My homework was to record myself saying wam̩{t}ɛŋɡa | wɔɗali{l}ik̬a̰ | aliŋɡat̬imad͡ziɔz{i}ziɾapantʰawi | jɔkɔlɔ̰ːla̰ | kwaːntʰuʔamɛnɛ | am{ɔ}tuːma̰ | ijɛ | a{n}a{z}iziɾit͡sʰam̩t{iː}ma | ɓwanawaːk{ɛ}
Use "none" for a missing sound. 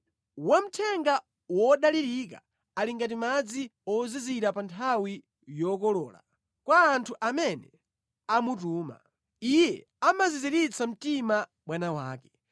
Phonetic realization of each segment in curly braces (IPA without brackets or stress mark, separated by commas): tʰ, ɾ, i, u, m, z, i, ɛ